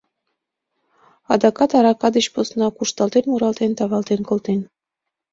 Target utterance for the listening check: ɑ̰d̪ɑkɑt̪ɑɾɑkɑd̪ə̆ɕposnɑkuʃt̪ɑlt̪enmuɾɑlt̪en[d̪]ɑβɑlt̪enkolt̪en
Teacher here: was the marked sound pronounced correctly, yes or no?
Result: no